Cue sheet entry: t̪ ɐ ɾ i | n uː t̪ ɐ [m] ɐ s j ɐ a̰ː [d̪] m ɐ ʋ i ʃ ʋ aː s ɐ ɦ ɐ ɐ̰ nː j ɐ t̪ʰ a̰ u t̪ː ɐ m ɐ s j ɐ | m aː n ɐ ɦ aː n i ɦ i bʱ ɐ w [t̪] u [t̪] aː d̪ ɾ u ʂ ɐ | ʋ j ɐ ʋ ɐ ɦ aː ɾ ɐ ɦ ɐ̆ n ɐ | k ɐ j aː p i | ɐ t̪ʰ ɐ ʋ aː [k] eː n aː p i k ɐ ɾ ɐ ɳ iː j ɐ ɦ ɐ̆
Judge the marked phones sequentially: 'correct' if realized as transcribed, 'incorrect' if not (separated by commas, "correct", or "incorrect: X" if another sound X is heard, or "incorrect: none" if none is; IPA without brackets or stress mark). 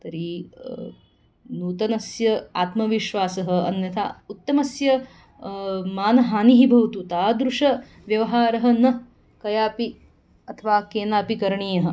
incorrect: n, incorrect: t̪, correct, correct, correct